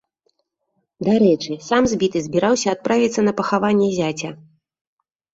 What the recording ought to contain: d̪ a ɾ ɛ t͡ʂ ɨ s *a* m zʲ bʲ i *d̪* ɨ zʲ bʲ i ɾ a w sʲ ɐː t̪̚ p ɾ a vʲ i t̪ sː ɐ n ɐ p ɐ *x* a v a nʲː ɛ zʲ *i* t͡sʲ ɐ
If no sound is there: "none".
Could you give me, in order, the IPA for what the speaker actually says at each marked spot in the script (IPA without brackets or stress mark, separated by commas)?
a, t̪, x, a